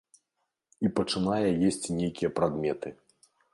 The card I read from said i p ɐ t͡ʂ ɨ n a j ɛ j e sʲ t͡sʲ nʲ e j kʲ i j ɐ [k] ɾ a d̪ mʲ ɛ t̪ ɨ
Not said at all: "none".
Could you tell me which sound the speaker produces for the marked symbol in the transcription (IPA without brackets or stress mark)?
p